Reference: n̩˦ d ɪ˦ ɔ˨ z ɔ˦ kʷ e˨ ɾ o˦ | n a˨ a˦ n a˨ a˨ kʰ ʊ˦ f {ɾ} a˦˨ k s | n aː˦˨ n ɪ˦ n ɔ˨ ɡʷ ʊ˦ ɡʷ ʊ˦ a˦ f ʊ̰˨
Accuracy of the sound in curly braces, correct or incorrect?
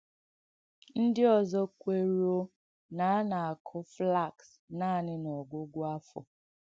incorrect